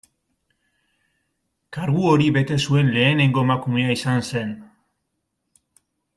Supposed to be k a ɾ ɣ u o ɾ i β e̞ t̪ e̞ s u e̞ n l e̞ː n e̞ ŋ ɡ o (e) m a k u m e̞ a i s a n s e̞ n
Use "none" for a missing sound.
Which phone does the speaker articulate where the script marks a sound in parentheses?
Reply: e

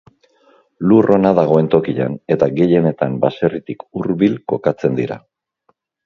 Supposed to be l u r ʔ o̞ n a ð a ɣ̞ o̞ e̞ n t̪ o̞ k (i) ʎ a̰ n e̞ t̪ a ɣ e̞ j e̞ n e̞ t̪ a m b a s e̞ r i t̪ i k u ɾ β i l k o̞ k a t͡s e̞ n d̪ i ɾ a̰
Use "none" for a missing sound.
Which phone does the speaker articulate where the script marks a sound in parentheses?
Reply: i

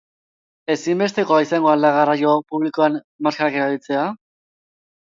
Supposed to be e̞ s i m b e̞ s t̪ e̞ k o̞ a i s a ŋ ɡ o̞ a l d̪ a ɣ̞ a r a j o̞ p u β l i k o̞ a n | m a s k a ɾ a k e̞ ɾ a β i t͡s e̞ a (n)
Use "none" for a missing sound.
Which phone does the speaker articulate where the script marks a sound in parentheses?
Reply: none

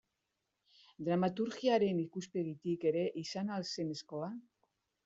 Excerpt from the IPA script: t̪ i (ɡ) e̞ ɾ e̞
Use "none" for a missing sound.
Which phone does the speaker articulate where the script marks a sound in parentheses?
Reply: k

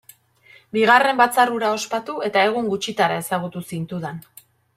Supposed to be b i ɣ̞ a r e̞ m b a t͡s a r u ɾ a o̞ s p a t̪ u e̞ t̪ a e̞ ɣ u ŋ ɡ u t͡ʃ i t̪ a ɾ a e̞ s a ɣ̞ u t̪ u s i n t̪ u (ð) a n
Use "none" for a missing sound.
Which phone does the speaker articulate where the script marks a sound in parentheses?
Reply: ð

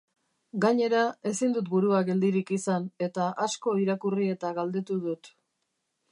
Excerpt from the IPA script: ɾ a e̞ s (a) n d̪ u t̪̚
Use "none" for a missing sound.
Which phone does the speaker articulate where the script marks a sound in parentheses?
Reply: i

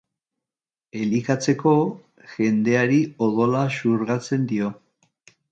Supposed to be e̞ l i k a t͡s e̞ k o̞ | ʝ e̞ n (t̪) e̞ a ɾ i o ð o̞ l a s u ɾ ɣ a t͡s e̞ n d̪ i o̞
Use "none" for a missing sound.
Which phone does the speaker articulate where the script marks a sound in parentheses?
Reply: d̪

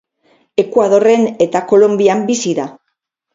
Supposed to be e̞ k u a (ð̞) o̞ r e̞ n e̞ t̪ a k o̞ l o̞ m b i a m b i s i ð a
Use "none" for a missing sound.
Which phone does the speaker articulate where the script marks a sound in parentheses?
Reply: ð̞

